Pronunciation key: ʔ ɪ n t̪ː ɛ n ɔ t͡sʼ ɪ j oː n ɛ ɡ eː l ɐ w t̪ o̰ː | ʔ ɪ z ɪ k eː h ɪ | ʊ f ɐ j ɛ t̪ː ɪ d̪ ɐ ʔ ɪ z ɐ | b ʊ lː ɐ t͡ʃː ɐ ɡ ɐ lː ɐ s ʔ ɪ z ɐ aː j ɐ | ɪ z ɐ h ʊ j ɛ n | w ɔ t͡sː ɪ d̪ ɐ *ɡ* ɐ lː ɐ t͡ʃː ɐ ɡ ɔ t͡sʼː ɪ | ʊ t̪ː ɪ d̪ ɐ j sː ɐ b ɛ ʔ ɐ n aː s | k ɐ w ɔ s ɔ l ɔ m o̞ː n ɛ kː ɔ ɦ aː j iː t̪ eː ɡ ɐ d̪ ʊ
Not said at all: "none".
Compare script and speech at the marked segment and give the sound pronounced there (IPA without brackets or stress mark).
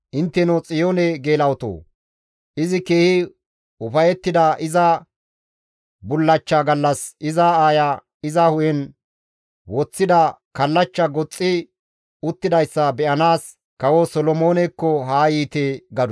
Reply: k